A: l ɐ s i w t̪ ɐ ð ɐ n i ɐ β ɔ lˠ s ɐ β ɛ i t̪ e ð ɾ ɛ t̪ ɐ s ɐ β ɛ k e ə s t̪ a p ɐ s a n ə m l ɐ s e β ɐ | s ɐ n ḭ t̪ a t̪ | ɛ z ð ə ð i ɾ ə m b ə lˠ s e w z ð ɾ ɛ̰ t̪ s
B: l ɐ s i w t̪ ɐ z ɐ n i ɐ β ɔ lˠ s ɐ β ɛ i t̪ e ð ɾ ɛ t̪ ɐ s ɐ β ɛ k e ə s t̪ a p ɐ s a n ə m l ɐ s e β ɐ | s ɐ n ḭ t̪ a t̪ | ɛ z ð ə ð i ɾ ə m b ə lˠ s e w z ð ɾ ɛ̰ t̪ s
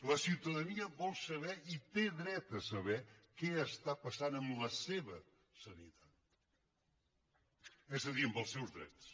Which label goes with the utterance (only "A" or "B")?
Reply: A